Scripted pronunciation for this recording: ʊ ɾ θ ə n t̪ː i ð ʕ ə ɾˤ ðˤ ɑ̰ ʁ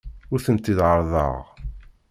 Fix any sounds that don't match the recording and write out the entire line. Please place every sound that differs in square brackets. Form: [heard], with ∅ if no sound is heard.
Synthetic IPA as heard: ʊ ɾ θ ə n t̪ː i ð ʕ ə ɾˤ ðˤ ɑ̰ ʁ